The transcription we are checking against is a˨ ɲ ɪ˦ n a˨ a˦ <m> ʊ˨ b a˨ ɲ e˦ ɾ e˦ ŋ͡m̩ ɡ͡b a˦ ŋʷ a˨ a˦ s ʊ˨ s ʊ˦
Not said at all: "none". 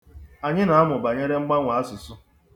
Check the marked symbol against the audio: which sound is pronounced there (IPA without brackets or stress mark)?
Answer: m